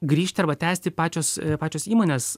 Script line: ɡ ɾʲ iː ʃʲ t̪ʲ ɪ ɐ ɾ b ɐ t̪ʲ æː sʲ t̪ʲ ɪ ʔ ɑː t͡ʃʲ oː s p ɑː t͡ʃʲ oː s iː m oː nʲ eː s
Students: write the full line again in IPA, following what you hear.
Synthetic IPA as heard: ɡ ɾʲ iː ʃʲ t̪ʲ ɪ ɐ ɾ b ɐ t̪ʲ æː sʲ t̪ʲ ɪ p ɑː t͡ʃʲ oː s p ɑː t͡ʃʲ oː s iː m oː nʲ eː s